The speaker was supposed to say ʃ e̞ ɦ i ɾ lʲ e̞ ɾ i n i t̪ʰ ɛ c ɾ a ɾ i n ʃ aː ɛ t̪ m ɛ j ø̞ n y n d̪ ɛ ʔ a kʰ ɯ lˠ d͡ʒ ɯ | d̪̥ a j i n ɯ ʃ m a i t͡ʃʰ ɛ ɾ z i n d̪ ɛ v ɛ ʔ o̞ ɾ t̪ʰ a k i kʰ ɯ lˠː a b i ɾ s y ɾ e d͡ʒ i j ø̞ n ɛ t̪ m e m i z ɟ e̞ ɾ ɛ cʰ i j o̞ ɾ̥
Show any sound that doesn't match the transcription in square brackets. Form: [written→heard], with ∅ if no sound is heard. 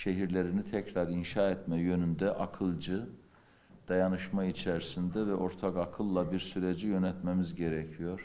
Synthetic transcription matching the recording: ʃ e̞ ɦ i ɾ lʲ e̞ ɾ i n i t̪ʰ ɛ c ɾ a ɾ i n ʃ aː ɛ t̪ m ɛ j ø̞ n y n d̪ ɛ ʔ a kʰ ɯ lˠ d͡ʒ ɯ | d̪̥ a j [i→a] n ɯ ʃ m a i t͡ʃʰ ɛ ɾ [z→s] i n d̪ ɛ v ɛ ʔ o̞ ɾ t̪ʰ a k [i→a] kʰ ɯ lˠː a b i ɾ s y ɾ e d͡ʒ i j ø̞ n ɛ t̪ m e m i z ɟ e̞ ɾ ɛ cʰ i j o̞ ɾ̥